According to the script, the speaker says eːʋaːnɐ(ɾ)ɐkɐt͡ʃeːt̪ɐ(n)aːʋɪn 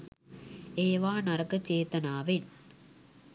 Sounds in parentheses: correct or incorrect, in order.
correct, correct

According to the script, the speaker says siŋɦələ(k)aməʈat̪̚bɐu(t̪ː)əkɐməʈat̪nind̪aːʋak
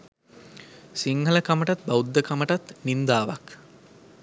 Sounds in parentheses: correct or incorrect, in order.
correct, incorrect

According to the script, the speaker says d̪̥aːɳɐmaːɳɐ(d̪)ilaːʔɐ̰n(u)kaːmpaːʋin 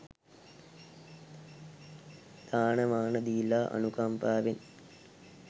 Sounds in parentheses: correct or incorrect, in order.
correct, correct

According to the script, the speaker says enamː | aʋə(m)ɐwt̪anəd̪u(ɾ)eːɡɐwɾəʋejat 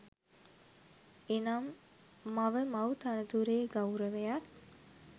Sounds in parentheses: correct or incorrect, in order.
correct, correct

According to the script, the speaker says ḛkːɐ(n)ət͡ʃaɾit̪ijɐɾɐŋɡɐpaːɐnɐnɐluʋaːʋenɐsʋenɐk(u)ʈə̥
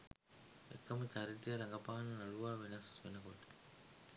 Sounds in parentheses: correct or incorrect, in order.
incorrect, incorrect

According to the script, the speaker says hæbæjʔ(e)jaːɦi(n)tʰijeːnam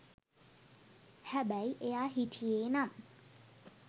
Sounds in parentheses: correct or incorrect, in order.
correct, incorrect

